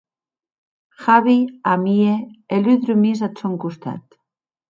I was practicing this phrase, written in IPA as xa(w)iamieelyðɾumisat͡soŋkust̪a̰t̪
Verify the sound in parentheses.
incorrect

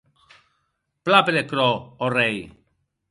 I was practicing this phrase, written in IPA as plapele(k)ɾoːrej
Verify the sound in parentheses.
correct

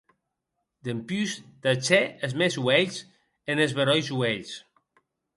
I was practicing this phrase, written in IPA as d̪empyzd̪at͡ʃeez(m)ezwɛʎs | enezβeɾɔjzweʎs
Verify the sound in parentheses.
correct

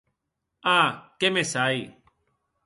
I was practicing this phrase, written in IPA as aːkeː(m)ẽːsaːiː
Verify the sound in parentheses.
correct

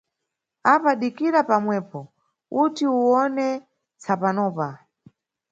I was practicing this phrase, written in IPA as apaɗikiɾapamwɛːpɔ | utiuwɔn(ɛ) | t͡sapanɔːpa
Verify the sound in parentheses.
correct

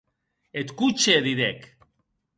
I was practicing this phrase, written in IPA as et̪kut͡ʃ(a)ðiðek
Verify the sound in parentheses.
incorrect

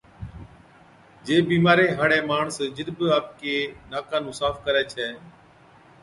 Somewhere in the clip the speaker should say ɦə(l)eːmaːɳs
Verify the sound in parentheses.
incorrect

